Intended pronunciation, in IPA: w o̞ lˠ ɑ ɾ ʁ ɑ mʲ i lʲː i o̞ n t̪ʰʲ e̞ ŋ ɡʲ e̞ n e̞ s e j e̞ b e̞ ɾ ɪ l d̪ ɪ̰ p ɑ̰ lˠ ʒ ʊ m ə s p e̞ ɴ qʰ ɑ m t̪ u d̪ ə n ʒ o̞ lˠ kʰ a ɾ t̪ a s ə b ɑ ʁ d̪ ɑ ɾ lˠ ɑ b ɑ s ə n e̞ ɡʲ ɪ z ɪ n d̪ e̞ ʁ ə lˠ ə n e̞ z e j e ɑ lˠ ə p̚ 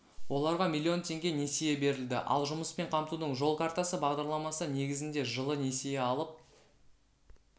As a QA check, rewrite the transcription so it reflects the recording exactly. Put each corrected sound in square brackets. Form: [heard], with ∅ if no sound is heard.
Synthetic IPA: w o̞ lˠ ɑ ɾ ʁ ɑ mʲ i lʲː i o̞ n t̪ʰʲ e̞ ŋ ɡʲ e̞ n e̞ s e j e̞ b e̞ ɾ ɪ l d̪ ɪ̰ [ʔ] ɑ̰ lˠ ʒ ʊ m ə s p e̞ ɴ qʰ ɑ m t̪ u d̪ ə [ɴ] ʒ o̞ lˠ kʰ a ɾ t̪ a s ə b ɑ ʁ d̪ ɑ ɾ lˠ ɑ [m] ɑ s ə n e̞ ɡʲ ɪ z ɪ n d̪ e̞ [ʒ] ə lˠ ə n e̞ [s] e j e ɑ lˠ ə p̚